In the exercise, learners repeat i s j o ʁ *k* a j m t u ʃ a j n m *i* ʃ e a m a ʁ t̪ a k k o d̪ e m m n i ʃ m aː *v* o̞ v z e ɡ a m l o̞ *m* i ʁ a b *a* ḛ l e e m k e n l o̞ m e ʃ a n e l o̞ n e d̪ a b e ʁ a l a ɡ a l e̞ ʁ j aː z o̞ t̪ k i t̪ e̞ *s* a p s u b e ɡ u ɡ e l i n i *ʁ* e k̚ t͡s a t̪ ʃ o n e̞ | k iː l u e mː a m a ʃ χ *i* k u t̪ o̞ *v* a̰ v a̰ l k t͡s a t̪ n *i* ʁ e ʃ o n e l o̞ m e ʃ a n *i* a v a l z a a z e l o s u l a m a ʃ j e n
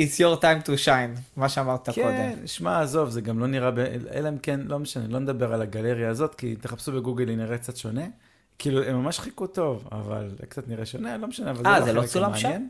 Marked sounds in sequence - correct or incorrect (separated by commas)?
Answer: incorrect, incorrect, incorrect, incorrect, incorrect, incorrect, correct, correct, correct, correct, incorrect